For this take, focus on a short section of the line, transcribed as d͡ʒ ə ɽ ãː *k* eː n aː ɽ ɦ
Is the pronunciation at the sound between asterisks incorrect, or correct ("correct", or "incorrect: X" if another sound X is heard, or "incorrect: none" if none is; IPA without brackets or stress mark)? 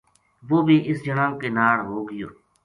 correct